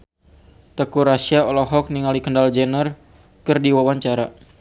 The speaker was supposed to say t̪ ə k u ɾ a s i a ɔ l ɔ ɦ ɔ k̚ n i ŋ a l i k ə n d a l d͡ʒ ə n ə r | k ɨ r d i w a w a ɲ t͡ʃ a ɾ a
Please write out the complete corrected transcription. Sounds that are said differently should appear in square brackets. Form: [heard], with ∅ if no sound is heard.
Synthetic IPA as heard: t̪ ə k u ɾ a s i a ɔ l ɔ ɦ ɔ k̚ n i ŋ a l i k ə n d a l d͡ʒ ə n ə r | k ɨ r d i w a w a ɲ t͡ʃ a ɾ a